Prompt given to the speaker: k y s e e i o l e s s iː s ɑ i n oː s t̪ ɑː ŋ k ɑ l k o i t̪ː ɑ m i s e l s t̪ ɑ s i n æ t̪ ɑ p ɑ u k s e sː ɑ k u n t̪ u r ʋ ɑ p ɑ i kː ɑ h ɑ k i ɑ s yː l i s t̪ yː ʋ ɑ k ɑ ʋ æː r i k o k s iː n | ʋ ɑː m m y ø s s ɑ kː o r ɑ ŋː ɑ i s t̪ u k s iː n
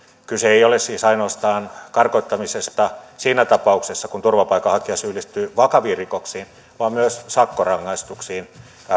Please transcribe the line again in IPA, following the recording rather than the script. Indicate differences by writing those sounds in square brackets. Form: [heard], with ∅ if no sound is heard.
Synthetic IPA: k y s e e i o l e s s iː s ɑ i n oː s t̪ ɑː [n] k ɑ [r] k o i t̪ː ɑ m i s e [∅] s t̪ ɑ s [iː] n æ t̪ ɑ p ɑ u k s e sː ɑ k u n t̪ u r ʋ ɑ p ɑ i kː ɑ h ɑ k i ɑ s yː l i s t̪ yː ʋ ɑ k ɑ ʋ [iː] r i k o k s iː n | ʋ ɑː m m y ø s s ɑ kː o r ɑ ŋː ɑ i s t̪ u k s iː n